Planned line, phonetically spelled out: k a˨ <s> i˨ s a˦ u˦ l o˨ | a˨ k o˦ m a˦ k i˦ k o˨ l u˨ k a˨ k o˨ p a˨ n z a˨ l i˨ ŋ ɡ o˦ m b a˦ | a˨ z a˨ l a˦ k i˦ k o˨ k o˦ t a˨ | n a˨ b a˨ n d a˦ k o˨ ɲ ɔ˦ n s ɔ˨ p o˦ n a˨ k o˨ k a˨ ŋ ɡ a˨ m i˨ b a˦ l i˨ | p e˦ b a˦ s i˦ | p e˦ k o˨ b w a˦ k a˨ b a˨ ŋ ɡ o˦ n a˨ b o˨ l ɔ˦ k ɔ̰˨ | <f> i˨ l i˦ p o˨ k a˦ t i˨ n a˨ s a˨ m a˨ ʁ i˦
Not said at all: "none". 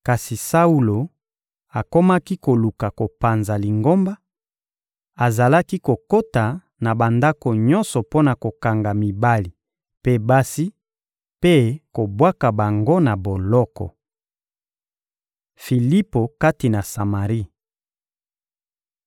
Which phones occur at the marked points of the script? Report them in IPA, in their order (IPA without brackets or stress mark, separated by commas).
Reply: s, f